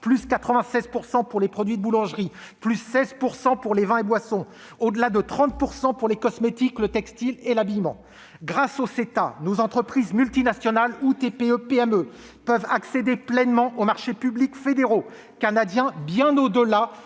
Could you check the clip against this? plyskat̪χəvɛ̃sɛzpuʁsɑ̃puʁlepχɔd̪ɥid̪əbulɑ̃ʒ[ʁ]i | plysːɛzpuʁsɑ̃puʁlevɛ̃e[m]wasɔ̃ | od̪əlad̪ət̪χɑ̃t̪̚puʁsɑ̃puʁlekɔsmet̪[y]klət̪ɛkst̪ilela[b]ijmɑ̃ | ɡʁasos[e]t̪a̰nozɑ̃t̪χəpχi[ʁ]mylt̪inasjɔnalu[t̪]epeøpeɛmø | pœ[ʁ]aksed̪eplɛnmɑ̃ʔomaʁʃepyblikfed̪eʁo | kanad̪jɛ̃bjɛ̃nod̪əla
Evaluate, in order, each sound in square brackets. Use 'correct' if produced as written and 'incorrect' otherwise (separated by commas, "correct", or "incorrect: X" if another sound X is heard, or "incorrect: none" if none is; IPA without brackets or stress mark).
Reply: correct, incorrect: b, incorrect: i, correct, correct, incorrect: z, correct, incorrect: v